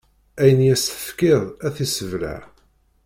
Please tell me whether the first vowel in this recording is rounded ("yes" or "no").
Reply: no